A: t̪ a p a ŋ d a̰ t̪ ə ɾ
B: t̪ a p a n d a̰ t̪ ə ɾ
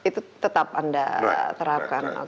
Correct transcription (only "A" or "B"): B